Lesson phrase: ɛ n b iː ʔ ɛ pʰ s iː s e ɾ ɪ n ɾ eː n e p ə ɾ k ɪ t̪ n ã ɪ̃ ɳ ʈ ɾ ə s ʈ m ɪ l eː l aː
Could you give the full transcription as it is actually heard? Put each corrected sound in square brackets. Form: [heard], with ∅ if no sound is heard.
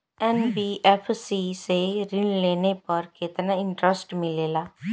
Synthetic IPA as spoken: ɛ n b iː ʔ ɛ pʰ s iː s e ɾ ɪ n [l] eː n e p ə ɾ k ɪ t̪ n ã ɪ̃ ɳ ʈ ɾ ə s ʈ m ɪ l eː l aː